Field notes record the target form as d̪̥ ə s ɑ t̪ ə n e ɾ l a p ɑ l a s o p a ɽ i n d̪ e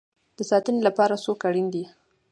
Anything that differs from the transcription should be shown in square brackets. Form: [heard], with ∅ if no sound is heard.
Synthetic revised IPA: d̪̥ ə s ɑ t̪ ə n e [∅] l a p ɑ [ɾ] a s o [k] a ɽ i n d̪ [i]